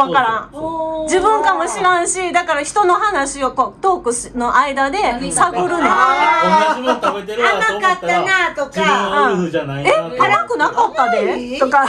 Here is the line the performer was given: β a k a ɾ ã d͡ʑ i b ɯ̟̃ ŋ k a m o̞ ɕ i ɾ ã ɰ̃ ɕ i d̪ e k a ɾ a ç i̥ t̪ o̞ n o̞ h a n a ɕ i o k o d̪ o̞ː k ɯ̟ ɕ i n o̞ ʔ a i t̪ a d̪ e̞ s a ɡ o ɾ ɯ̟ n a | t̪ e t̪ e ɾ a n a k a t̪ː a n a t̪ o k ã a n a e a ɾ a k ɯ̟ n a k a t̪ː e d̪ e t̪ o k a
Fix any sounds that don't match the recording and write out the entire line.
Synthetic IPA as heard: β a k a ɾ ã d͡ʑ i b ɯ̟̃ ŋ k a m o̞ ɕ i ɾ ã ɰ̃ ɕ i d̪ a k a ɾ a ç i̥ t̪ o̞ n o̞ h a n a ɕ i o k o t̪ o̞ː k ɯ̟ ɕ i n o̞ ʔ a i d̪ a d̪ e̞ s a ɡ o ɾ ɯ̟ n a | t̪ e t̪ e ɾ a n a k a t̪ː a n a t̪ o k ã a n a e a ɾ a k ɯ̟ n a k a t̪ː a d̪ e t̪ o k a